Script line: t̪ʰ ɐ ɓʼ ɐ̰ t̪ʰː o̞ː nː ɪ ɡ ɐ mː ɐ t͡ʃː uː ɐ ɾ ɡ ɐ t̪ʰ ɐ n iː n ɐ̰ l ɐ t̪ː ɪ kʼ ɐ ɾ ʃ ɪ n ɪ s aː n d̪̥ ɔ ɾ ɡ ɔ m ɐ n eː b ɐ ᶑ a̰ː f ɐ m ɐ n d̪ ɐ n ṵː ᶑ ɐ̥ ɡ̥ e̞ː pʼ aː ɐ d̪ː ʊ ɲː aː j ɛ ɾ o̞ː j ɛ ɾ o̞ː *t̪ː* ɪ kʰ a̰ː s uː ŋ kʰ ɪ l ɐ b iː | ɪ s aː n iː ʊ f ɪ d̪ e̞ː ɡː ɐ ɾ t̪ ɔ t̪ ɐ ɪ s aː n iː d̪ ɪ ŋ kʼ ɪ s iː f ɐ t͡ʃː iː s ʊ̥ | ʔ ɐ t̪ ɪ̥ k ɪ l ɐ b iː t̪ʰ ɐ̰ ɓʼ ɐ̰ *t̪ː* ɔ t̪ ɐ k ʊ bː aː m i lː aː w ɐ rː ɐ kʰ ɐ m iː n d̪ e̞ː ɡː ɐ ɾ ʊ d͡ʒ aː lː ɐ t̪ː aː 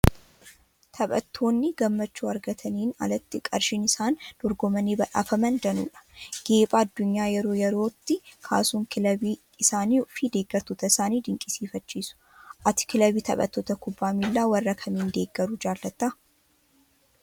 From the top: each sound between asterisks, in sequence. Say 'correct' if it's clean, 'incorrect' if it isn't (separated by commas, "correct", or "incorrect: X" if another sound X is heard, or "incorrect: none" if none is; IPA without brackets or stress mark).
correct, correct